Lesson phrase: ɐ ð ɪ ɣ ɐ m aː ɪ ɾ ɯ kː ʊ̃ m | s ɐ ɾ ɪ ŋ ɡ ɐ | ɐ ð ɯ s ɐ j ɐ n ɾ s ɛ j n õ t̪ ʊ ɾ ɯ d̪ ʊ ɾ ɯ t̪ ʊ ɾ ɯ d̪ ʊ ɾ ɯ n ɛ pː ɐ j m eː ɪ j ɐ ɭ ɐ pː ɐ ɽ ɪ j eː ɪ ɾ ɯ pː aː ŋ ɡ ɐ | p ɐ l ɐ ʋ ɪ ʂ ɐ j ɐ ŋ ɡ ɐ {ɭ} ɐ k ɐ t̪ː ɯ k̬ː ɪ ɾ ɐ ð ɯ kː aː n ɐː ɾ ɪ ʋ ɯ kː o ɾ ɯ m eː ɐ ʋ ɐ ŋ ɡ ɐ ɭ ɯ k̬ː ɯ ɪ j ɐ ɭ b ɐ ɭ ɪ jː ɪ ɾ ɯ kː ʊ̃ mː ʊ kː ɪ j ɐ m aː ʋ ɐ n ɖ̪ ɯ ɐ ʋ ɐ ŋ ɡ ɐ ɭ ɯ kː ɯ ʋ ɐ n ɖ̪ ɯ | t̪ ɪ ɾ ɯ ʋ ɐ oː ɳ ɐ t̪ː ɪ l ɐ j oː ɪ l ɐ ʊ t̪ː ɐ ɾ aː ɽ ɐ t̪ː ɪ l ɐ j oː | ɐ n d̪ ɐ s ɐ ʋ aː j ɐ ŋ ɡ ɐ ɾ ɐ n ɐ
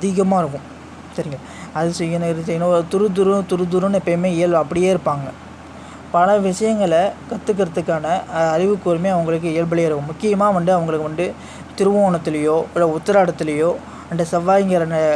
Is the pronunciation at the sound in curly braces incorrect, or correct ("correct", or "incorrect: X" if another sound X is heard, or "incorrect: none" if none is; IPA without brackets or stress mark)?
correct